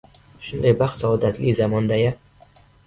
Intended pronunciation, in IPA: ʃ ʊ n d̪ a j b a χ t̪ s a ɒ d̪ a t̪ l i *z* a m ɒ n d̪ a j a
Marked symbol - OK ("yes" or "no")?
yes